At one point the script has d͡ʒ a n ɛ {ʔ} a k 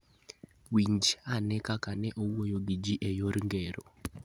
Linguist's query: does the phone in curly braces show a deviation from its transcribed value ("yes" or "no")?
yes